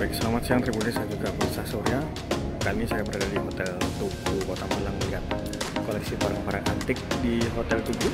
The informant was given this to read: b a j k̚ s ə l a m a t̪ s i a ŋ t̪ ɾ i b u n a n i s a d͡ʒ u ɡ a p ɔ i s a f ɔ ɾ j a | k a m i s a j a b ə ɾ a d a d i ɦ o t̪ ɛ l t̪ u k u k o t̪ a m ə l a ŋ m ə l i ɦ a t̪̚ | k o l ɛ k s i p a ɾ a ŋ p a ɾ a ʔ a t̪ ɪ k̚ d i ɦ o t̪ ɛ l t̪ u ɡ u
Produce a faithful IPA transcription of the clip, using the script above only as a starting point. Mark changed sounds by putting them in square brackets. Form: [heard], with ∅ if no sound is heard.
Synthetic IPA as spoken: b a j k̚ s ə l a m a t̪ s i a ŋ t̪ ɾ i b u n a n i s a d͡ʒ u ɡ a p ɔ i s a [s] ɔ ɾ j a | k a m i s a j a b ə ɾ a d a d i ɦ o t̪ ɛ l t̪ u k u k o t̪ a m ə l a ŋ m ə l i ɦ a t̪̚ | k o l ɛ k s i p a ɾ a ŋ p a ɾ a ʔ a t̪ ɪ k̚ d i ɦ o t̪ ɛ l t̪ u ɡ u